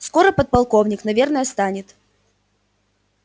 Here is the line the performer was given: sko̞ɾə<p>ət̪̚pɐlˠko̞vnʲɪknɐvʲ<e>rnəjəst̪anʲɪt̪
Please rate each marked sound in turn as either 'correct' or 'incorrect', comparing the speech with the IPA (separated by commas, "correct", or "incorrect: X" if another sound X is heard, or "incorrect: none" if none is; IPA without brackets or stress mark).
correct, correct